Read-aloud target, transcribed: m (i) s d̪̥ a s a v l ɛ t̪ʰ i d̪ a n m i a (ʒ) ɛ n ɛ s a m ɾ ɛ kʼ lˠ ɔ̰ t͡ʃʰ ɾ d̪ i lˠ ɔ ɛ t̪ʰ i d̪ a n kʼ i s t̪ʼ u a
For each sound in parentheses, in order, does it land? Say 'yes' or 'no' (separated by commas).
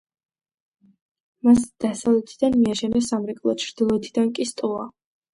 no, no